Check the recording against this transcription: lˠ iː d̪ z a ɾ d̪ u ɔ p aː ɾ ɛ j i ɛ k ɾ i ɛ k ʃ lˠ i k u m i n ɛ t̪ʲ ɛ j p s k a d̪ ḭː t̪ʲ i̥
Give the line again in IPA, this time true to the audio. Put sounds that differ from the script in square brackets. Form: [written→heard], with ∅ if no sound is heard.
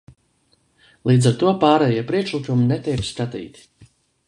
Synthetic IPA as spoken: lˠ iː d̪ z a ɾ [d̪→t̪] u ɔ p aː ɾ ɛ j i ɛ [k→p] ɾ i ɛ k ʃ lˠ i k u m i n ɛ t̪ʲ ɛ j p s k a [d̪→t̪] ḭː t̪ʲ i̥

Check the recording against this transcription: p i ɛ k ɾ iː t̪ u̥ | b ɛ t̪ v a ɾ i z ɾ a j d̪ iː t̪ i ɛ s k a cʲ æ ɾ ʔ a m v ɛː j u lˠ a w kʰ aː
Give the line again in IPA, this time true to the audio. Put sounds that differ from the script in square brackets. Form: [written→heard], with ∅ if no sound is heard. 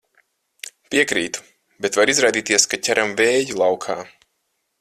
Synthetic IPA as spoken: p i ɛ k ɾ iː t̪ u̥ | b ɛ t̪ v a ɾ i z ɾ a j d̪ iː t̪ i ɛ s k a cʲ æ ɾ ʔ a m v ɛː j u lˠ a w kʰ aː

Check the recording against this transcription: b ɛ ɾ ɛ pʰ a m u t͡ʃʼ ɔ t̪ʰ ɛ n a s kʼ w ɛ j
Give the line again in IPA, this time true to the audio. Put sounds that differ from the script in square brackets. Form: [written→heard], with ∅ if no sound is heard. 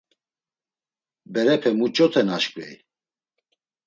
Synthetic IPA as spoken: b ɛ ɾ ɛ pʰ [a→ɛ] m u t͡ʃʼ ɔ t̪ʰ ɛ n a [s→ʃ] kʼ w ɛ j

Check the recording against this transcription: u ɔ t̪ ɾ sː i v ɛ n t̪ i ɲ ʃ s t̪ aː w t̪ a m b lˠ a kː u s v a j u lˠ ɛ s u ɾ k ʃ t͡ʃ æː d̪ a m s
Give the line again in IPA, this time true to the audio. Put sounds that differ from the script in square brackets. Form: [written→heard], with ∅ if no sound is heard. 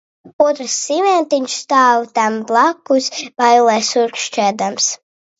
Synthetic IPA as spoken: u ɔ t̪ ɾ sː i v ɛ n t̪ i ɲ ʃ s t̪ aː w t̪ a m b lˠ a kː u s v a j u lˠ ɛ s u ɾ k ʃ t͡ʃ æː d̪ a m s

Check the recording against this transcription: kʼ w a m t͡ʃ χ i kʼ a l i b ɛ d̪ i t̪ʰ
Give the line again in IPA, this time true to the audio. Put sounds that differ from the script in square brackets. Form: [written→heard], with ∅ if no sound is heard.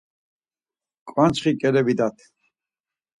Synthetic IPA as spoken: kʼ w a [m→n] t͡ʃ χ i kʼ [a→ɛ] l [i→ɛ] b [ɛ→i] d̪ [i→a] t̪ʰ

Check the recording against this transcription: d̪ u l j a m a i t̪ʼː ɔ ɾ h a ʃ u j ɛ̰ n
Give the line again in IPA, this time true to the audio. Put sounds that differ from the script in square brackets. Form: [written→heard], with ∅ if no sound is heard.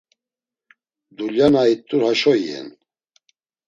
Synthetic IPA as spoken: d̪ u l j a [m→n] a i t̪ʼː [ɔ→u] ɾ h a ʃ [u→ɔ] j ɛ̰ n

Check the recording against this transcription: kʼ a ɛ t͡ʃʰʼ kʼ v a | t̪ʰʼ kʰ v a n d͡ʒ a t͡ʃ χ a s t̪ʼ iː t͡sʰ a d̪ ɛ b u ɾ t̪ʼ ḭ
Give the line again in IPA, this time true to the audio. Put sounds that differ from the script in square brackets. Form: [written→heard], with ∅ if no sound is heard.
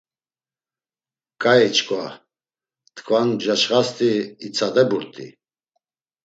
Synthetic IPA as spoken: kʼ a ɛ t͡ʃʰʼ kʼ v a | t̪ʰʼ kʰ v a n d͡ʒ a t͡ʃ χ a s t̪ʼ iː t͡sʰ a d̪ ɛ b u ɾ t̪ʼ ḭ

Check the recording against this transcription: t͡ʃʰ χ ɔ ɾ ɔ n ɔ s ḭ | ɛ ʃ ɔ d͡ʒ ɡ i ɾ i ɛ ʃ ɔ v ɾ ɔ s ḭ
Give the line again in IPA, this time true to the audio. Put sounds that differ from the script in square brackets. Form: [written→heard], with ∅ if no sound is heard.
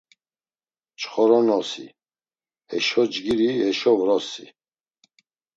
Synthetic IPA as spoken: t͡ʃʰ χ ɔ ɾ ɔ n ɔ s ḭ | ɛ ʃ ɔ d͡ʒ ɡ i ɾ i ɛ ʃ ɔ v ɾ ɔ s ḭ

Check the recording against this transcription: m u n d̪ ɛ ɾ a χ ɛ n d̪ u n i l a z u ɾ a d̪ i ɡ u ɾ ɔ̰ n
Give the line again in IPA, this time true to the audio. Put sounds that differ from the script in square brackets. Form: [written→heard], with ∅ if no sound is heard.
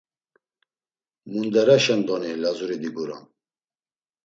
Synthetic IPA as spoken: m u n d̪ ɛ ɾ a [χ→ʃ] ɛ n d̪ [u→ɔ] n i l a z u ɾ [a→i] d̪ i ɡ u ɾ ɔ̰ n

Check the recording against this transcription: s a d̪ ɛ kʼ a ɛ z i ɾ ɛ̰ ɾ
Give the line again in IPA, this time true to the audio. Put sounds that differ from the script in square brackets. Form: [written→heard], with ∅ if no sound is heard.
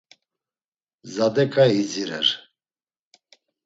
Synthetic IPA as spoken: [s→z] a d̪ ɛ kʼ a [ɛ→i] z i ɾ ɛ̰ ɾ

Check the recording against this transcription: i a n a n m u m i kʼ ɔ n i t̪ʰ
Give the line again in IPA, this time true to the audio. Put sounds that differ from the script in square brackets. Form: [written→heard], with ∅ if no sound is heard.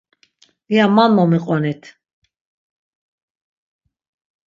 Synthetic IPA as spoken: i a [n→m] a n m [u→ɔ] m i [kʼ→qʼ] ɔ n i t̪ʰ

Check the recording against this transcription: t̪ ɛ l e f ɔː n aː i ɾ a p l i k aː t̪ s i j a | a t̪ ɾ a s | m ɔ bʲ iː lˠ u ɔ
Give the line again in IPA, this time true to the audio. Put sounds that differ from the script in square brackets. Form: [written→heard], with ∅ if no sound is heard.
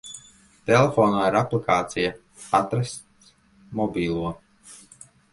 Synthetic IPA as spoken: t̪ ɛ l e f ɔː n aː i ɾ a p l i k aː t̪ s i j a | a t̪ ɾ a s | m ɔ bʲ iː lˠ u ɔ

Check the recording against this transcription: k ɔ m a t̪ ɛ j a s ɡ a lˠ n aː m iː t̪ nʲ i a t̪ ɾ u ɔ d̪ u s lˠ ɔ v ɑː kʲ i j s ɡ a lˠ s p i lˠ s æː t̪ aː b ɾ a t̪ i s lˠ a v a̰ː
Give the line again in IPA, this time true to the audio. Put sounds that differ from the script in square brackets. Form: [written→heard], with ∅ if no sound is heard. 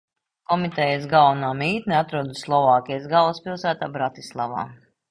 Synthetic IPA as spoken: k ɔ m [a→i] t̪ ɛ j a s ɡ a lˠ n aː m iː t̪ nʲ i a t̪ ɾ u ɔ d̪ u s lˠ ɔ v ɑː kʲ i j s ɡ a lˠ s p i lˠ s æː t̪ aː b ɾ a t̪ i s lˠ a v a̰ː

